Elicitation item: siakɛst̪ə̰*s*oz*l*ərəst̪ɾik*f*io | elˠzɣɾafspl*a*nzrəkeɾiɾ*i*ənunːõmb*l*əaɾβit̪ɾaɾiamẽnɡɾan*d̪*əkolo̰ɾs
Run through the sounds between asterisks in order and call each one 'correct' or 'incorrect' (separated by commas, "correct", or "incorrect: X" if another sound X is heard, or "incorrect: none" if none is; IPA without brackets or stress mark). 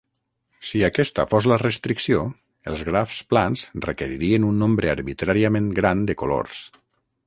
incorrect: f, correct, incorrect: s, correct, correct, incorrect: ɾ, correct